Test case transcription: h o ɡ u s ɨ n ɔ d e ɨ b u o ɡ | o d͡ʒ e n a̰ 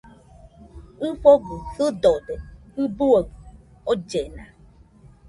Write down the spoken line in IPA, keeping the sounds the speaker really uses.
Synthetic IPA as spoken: f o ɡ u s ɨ d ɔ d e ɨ b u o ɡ | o d͡ʒ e n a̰